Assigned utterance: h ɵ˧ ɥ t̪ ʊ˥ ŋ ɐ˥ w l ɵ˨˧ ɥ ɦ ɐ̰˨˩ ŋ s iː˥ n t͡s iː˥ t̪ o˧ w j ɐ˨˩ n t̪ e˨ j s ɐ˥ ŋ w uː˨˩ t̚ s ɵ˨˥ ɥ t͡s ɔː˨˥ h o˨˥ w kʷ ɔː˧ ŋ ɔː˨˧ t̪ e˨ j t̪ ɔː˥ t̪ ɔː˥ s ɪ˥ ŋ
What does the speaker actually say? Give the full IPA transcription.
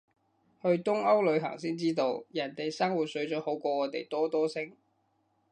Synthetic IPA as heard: h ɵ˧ ɥ t̪ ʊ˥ ŋ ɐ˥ w l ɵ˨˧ ɥ ɦ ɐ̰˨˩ ŋ s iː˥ n t͡s iː˥ t̪ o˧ w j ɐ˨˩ n t̪ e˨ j s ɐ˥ ŋ w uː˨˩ t̚ s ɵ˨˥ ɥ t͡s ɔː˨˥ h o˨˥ w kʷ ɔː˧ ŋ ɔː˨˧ t̪ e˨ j t̪ ɔː˥ t̪ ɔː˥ s ɪ˥ ŋ

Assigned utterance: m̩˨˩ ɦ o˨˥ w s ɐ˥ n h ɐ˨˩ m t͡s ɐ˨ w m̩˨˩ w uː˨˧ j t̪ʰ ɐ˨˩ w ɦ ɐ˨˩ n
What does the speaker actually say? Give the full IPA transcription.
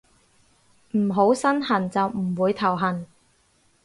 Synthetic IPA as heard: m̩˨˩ ɦ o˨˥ w s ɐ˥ n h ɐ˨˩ n t͡s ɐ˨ w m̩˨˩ w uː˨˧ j t̪ʰ ɐ˨˩ w ɦ ɐ˨˩ n

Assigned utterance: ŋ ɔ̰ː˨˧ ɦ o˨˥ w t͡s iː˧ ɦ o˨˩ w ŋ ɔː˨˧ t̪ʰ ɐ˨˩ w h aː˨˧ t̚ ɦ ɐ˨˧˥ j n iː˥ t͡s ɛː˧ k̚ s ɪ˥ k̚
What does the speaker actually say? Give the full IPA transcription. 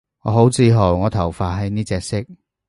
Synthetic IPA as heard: ŋ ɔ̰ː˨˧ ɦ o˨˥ w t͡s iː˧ ɦ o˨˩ w ŋ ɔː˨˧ t̪ʰ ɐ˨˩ w f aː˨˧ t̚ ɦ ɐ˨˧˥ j n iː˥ t͡s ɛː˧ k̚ s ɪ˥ k̚

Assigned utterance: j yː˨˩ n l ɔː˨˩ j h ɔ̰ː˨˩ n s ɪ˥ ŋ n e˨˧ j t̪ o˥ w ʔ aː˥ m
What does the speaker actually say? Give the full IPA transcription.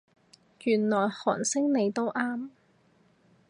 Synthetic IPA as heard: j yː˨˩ n l ɔː˨˩ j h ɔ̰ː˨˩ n s ɪ˥ ŋ n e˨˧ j t̪ o˥ w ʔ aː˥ m

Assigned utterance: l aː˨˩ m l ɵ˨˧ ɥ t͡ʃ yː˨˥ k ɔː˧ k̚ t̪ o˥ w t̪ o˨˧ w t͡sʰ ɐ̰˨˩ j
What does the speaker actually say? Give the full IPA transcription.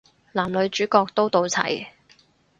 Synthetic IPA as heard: l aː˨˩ m l ɵ˨˧ ɥ t͡ʃ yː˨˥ k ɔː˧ k̚ t̪ o˥ w t̪ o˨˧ w t͡sʰ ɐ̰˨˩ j

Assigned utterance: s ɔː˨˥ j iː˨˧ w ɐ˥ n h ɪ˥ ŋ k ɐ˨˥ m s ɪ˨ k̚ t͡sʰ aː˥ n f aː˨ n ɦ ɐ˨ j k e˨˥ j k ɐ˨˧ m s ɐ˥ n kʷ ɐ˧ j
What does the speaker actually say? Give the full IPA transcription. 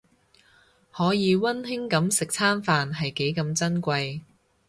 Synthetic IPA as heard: h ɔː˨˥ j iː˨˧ w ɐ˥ n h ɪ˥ ŋ k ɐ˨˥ m s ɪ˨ k̚ t͡sʰ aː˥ n f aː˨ n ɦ ɐ˨ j k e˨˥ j k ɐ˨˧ m t͡s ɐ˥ n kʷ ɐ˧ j

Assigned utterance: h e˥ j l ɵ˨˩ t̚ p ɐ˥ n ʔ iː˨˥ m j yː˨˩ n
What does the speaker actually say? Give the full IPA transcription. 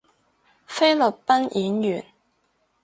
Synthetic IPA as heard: f e˥ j l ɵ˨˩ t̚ p ɐ˥ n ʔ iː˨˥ n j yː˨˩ n

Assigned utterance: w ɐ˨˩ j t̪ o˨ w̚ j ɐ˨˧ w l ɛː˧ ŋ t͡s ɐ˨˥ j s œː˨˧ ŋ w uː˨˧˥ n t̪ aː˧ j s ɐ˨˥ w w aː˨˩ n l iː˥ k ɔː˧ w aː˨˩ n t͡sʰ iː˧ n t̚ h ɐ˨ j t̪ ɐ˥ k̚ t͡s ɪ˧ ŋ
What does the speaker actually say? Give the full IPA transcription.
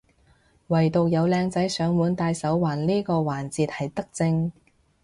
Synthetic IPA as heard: w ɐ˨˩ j t̪ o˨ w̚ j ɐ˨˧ w l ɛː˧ ŋ t͡s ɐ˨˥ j s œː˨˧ ŋ w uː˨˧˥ n t̪ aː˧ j s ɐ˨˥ w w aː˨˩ n l iː˥ k ɔː˧ w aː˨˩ n t͡s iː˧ t̚ h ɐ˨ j t̪ ɐ˥ k̚ t͡s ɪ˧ ŋ

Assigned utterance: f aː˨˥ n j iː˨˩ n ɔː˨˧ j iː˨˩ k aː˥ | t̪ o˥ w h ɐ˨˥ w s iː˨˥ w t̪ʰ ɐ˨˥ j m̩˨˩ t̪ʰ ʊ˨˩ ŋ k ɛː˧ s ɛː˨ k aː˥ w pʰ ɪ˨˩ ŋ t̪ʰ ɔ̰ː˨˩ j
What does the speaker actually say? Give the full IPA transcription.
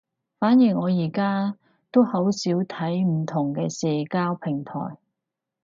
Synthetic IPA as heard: f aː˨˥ n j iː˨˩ ŋ ɔː˨˧ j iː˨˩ k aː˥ | t̪ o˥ w h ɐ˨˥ w s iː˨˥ w t̪ʰ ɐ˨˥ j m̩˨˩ t̪ʰ ʊ˨˩ ŋ k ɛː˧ s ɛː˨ k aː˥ w pʰ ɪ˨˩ ŋ t̪ʰ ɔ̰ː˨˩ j

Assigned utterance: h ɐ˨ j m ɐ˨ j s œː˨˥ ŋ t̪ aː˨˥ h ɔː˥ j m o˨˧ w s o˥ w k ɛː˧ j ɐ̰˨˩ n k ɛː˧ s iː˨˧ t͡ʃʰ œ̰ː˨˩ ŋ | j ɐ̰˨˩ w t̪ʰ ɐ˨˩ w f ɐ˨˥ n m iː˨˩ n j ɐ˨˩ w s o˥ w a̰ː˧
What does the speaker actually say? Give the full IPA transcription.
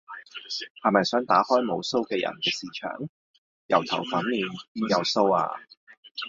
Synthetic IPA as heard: h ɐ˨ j m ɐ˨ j s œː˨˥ ŋ t̪ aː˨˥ h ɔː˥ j m o˨˧ w s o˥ w k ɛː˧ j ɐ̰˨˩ n k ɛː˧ s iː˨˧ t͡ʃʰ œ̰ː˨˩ ŋ | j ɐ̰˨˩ w t̪ʰ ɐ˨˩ w f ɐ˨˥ n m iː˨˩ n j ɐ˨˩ w s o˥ w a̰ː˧

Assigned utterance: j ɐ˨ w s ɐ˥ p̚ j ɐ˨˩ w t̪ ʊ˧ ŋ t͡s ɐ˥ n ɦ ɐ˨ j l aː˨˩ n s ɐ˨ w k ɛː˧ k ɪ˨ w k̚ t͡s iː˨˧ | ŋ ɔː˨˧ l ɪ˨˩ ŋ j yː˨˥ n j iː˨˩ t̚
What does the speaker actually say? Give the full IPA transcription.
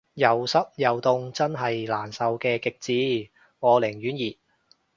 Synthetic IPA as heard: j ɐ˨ w s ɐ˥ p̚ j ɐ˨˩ w t̪ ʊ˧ ŋ t͡s ɐ˥ n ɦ ɐ˨ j l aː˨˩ n s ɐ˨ w k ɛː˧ k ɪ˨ k̚ t͡s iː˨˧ | ŋ ɔː˨˧ l ɪ˨˩ ŋ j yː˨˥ n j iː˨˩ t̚

